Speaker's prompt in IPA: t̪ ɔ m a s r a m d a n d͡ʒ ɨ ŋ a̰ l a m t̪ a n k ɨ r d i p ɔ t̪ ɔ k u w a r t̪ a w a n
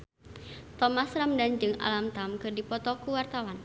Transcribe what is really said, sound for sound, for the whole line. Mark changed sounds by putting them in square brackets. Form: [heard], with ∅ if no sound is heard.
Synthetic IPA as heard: t̪ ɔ m a s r a m d a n d͡ʒ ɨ ŋ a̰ l a m t̪ a [m] k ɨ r d i p ɔ t̪ ɔ k u w a r t̪ a w a n

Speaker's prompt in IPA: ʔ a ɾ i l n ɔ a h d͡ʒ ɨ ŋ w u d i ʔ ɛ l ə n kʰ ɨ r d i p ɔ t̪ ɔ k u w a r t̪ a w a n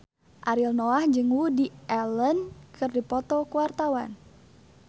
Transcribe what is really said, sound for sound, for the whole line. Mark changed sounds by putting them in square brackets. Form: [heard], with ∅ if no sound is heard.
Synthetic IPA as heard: ʔ a ɾ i l n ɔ a h d͡ʒ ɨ ŋ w u d i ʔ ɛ l ə n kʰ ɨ r d i p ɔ t̪ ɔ k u w a r t̪ a w a n

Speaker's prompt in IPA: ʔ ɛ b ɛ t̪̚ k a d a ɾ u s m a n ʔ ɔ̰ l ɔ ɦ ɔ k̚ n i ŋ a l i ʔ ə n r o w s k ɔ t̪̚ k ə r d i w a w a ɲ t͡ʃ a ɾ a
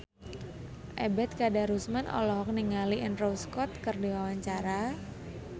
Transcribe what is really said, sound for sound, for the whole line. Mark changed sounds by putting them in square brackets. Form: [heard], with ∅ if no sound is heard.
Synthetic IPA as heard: ʔ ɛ b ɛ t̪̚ k a d a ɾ u s m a n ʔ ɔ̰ l ɔ ɦ ɔ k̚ n i ŋ a l i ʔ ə n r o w s k ɔ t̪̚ k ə r d i w a w a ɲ t͡ʃ a ɾ a

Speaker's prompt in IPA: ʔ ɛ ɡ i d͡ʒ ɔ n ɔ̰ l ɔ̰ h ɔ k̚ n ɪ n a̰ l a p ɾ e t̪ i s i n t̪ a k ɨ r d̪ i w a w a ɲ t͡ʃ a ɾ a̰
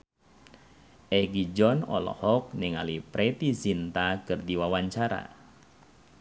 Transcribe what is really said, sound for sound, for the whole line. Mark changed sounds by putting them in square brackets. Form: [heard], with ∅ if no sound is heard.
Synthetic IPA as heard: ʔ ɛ ɡ i d͡ʒ ɔ n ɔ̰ l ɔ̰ h ɔ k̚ n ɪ [ŋ] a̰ l [i] p ɾ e t̪ i s i n t̪ a k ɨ r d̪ i w a w a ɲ t͡ʃ a ɾ a̰

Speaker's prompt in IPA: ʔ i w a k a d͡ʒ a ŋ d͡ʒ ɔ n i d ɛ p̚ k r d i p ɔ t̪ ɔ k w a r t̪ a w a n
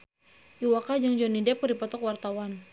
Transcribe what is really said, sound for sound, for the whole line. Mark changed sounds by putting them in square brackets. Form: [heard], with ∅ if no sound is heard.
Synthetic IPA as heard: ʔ i w a k a d͡ʒ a ŋ d͡ʒ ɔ n i d ɛ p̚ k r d i p ɔ t̪ ɔ k w a r t̪ a w a n

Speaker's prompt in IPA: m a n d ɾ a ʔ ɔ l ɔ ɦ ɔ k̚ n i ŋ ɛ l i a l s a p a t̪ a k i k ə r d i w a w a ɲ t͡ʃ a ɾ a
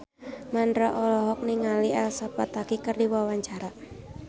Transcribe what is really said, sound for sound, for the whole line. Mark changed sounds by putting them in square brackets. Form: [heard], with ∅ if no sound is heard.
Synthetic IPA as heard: m a n d ɾ a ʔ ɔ l ɔ ɦ ɔ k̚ n i ŋ [a] l i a l s a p a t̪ a k i k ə r d i w a w a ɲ t͡ʃ a ɾ a

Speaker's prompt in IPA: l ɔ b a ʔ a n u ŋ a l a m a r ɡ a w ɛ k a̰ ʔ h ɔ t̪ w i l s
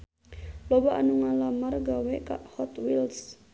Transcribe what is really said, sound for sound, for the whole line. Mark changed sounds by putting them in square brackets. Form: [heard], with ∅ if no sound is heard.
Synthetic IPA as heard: l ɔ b a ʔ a n u ŋ a l a m a r ɡ a w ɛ k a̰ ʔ h ɔ t̪ w i l s

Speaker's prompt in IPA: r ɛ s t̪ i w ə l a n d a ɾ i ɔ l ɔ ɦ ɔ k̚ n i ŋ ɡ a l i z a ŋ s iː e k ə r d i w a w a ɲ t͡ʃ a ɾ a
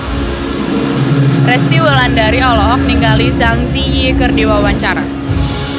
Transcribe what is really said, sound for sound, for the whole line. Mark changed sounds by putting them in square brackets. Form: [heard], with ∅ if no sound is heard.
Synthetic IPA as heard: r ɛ s t̪ i w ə l a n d a ɾ i ɔ l ɔ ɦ ɔ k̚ n i ŋ ɡ a l i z a ŋ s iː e k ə r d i w a w a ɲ t͡ʃ a ɾ a

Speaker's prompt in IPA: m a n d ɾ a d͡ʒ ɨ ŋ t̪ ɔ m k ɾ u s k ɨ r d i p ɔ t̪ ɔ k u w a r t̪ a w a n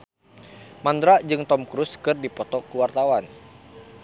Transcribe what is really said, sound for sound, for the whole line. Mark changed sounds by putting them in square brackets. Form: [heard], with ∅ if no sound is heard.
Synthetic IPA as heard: m a n d ɾ a d͡ʒ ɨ ŋ t̪ ɔ m k ɾ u s k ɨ r d i p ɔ t̪ ɔ k u w a r t̪ a w a n

